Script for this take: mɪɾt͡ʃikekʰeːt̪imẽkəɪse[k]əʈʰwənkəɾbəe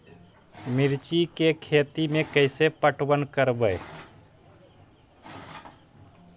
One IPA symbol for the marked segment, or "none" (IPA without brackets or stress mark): p